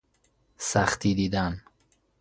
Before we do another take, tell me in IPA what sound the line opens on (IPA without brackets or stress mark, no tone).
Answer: s